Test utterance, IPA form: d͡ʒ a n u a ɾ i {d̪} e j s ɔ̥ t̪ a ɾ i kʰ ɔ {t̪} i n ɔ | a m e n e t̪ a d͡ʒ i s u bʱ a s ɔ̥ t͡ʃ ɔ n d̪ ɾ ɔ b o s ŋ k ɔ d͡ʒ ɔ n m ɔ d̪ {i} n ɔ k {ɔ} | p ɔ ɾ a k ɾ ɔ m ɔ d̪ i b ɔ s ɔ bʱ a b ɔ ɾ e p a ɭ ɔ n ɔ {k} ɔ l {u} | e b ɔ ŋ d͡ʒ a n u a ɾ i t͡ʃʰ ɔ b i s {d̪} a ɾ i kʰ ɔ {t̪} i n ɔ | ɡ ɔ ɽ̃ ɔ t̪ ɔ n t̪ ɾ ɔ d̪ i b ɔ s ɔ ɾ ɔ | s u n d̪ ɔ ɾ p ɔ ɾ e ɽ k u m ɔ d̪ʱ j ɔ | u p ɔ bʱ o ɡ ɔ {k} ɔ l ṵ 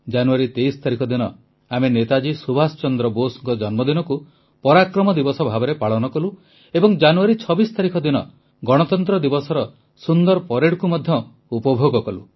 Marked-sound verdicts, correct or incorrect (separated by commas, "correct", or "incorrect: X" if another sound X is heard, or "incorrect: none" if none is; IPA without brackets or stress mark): incorrect: t̪, incorrect: d̪, correct, incorrect: u, correct, correct, incorrect: t̪, incorrect: d̪, correct